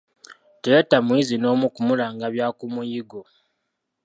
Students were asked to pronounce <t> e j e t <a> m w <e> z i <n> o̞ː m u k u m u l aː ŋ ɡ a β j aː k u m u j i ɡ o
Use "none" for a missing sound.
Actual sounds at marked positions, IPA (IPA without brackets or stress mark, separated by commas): t, a, i, n